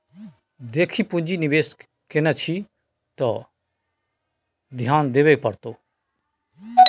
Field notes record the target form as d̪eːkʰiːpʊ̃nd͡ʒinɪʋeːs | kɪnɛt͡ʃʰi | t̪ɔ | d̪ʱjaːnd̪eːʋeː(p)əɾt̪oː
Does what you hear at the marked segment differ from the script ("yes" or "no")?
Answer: no